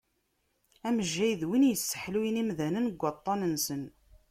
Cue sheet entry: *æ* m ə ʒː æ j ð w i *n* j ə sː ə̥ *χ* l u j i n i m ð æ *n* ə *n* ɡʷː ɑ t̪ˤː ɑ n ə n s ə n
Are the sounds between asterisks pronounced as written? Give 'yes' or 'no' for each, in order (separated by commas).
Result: yes, yes, no, yes, yes